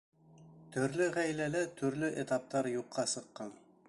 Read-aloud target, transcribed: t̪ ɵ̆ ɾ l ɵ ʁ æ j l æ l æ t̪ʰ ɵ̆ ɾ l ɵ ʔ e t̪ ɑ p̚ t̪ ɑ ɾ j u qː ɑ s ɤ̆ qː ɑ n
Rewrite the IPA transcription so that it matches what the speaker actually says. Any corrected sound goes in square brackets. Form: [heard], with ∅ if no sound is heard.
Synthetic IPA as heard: t̪ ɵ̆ ɾ l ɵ ʁ æ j l æ l æ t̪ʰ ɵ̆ ɾ l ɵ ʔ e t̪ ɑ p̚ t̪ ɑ ɾ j u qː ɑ s ɤ̆ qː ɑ n